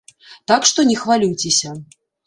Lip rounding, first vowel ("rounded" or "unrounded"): unrounded